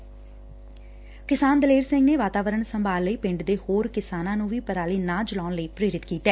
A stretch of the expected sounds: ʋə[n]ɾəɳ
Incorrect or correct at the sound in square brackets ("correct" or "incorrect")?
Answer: incorrect